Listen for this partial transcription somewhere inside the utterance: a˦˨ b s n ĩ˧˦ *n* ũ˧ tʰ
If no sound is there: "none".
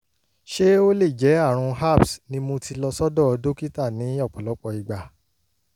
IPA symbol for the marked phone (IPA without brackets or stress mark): m